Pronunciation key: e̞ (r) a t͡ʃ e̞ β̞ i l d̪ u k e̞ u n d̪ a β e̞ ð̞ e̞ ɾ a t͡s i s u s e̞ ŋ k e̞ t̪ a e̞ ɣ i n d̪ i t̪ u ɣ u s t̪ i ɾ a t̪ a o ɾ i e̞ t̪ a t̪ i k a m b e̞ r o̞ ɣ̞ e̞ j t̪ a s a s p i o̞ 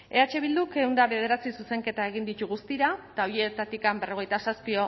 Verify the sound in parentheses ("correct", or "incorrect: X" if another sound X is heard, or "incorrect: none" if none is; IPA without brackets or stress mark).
incorrect: none